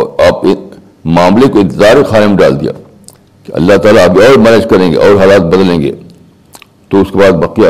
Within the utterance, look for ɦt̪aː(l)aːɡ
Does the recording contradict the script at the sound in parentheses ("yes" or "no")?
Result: no